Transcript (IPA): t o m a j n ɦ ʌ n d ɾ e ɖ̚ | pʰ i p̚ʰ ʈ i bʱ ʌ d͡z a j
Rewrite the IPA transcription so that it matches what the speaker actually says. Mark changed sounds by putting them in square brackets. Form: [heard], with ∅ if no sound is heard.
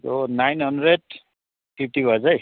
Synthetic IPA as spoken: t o [n] a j n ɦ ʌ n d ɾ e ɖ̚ | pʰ i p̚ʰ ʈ i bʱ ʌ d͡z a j